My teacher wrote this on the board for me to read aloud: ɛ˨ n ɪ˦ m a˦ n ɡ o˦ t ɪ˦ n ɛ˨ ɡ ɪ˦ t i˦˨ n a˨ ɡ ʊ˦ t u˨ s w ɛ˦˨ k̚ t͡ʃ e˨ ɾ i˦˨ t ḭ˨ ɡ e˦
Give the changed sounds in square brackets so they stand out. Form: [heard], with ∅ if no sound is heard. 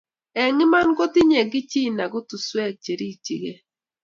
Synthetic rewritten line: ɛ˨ [ŋ] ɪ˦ m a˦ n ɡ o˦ t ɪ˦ [ɲ] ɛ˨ ɡ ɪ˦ [t͡ʃ] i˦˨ n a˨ ɡ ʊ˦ t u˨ s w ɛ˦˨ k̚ t͡ʃ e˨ ɾ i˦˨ [t͡ʃ] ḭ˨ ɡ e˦